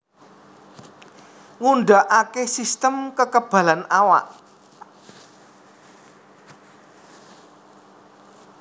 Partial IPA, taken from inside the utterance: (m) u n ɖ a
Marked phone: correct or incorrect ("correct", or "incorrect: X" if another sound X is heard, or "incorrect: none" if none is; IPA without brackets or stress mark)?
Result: incorrect: ŋ